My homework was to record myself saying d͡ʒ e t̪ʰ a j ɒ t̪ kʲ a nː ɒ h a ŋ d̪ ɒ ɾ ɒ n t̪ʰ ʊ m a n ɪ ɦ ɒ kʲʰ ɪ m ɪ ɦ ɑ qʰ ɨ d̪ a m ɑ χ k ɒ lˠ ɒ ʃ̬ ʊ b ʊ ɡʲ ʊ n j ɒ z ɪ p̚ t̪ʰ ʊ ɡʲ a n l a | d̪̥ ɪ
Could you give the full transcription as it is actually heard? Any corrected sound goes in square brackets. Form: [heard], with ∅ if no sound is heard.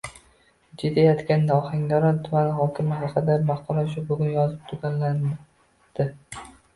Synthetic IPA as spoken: d͡ʒ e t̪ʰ a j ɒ t̪ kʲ a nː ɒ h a ŋ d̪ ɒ ɾ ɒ n t̪ʰ ʊ m a n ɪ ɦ ɒ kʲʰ ɪ m ɪ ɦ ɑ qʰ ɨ d̪ a m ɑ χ [q] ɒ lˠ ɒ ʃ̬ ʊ b ʊ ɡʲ ʊ n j ɒ z ɪ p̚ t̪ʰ ʊ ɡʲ a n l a | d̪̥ ɪ

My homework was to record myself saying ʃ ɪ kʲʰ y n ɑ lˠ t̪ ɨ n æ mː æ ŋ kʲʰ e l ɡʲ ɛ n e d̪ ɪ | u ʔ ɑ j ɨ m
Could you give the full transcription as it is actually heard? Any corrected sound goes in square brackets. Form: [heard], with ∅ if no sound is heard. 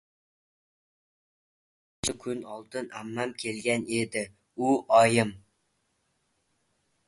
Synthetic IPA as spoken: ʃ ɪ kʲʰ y n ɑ lˠ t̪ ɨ n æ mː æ [m] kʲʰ e l ɡʲ ɛ n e d̪ ɪ | u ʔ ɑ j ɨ m

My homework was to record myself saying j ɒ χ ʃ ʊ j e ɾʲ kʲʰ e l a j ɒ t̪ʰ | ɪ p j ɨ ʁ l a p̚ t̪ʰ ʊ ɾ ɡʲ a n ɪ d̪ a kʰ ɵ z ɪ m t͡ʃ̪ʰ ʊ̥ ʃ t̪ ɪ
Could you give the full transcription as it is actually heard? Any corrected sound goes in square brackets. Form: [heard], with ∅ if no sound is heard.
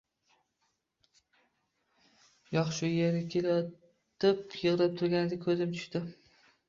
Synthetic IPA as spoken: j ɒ χ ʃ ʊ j e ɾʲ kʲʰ e l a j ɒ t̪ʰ | ɪ p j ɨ ʁ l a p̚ t̪ʰ ʊ ɾ ɡʲ a n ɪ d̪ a kʰ ɵ z ɪ m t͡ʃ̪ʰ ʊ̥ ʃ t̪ ɪ

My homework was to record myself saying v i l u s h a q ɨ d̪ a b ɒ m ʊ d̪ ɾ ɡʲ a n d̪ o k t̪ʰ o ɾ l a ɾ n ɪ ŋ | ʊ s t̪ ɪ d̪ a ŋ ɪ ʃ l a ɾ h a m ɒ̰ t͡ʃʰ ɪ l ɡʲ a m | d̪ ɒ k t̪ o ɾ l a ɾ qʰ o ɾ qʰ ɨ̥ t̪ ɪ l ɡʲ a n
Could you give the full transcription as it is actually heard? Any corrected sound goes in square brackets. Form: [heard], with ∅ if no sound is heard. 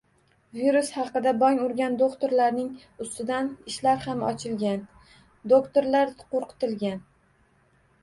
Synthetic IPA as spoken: v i [ɾ] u s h [ɑ] q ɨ d̪ a b ɒ [ŋ] ʊ [∅] ɾ ɡʲ a n d̪ o k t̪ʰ o ɾ l a ɾ n ɪ ŋ | ʊ s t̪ ɪ d̪ a [n] ɪ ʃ l a ɾ h a m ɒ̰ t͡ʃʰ ɪ l ɡʲ a [n] | d̪ [o] k t̪ o ɾ l a ɾ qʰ o ɾ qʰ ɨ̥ t̪ ɪ l ɡʲ a n

